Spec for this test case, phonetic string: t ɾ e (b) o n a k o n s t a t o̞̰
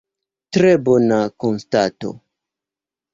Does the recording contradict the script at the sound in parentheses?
no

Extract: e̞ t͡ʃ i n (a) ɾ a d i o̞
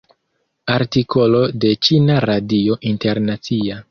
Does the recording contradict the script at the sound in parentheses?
no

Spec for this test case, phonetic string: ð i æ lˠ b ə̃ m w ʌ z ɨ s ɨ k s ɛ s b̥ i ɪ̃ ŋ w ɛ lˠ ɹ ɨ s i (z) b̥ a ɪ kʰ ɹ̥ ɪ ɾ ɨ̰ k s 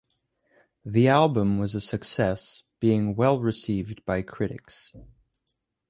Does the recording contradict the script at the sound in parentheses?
yes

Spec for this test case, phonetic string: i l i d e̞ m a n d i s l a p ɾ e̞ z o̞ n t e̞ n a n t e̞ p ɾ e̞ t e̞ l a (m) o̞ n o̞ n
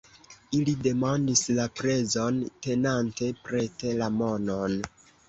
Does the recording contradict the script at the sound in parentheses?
no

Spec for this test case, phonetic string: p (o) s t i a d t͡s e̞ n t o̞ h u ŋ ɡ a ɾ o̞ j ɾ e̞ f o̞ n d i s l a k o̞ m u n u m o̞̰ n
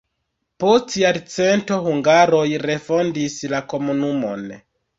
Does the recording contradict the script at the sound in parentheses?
no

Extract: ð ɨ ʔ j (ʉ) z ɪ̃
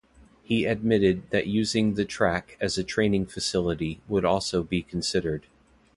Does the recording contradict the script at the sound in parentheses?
no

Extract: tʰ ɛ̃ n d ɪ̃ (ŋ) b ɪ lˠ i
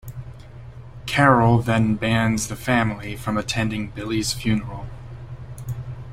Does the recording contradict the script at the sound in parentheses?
no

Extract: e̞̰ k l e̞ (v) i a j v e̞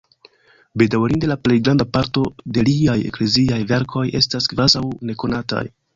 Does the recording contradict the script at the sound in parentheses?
yes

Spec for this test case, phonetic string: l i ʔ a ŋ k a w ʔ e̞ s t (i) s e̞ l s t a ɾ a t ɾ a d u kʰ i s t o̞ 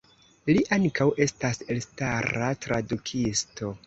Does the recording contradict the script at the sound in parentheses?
yes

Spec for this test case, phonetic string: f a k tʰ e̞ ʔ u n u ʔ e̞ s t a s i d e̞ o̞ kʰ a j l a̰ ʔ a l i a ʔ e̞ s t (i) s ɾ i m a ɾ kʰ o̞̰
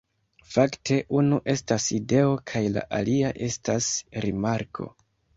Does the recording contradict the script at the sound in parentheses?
yes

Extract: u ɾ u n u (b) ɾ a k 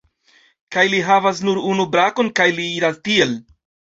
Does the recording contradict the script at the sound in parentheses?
no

